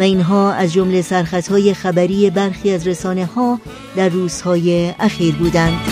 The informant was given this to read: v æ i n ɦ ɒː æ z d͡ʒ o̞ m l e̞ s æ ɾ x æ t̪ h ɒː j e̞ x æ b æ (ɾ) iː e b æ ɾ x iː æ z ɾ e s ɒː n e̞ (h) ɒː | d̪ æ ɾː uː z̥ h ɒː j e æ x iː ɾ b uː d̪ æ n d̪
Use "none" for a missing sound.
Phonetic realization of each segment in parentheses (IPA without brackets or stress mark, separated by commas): ɾ, h